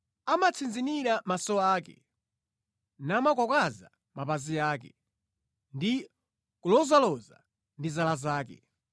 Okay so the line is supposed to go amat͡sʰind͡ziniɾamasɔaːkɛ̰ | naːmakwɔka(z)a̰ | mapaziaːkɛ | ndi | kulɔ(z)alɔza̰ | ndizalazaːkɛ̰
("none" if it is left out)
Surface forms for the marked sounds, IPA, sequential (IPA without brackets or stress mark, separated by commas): z, z